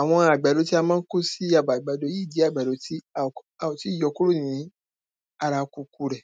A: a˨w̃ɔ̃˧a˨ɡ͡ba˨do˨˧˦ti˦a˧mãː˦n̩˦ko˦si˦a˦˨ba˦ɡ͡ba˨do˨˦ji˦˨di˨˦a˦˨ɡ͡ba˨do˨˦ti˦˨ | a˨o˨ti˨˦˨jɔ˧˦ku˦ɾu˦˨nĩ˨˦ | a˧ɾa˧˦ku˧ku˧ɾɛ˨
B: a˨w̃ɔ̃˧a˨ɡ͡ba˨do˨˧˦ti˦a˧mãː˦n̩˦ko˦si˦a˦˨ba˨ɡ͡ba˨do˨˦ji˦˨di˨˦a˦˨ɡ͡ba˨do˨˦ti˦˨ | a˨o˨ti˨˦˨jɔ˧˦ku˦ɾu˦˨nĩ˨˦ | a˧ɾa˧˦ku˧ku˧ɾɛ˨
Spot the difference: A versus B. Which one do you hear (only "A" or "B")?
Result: B